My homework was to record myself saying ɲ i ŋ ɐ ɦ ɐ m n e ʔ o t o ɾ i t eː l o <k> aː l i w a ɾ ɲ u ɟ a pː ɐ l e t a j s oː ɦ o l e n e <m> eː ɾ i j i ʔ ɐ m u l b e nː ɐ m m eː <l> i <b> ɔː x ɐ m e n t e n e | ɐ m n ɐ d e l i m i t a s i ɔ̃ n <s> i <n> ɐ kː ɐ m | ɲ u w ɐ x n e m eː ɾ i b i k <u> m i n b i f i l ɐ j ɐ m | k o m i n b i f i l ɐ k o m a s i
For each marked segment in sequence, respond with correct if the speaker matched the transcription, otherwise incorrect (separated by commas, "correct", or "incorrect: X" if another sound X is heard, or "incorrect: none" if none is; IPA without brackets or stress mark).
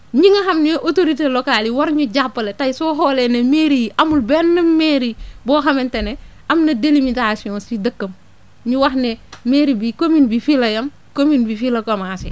correct, correct, incorrect: ɾ, correct, correct, incorrect: d, incorrect: o